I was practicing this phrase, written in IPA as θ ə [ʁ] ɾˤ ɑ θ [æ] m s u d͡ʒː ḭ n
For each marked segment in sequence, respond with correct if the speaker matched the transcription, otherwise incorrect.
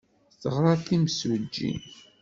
correct, incorrect: i

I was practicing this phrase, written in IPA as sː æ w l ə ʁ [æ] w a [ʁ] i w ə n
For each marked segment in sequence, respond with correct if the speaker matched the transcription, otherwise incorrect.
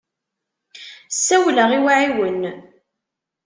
incorrect: i, incorrect: ʕ

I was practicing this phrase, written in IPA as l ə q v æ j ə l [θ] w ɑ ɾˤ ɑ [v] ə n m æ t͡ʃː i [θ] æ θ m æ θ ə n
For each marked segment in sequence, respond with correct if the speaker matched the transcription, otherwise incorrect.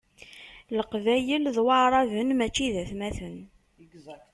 incorrect: ð, correct, incorrect: ð

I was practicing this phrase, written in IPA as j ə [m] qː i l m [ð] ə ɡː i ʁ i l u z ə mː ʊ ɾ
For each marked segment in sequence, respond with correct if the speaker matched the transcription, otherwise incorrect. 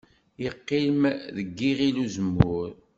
incorrect: none, correct

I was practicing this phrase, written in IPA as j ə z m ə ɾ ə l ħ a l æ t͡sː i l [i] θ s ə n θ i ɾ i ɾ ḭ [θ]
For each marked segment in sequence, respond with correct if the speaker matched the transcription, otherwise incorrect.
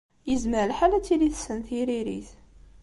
correct, correct

